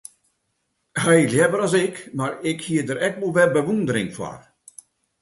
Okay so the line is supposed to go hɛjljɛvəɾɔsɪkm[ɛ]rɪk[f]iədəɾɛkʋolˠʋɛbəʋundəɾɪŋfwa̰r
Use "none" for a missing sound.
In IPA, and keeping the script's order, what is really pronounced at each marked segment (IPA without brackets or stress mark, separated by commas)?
a, h